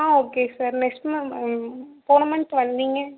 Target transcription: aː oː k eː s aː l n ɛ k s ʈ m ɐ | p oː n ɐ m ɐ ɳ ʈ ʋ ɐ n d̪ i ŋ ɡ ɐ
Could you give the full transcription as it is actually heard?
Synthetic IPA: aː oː k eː s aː ɾ n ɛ k s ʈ m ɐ | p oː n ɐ m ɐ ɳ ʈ ʋ ɐ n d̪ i ŋ ɡ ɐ